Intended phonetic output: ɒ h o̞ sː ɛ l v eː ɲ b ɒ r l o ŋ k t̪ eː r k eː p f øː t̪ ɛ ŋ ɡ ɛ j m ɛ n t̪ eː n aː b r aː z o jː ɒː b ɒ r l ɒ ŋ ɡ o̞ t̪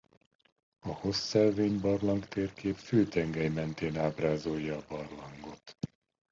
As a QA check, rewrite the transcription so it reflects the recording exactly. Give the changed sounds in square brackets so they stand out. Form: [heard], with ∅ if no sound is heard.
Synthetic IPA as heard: ɒ h o̞ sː ɛ l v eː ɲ b ɒ r l [ɒ] ŋ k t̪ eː r k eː p f øː t̪ ɛ ŋ ɡ ɛ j m ɛ n t̪ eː n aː b r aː z o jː ɒː b ɒ r l ɒ ŋ ɡ o̞ t̪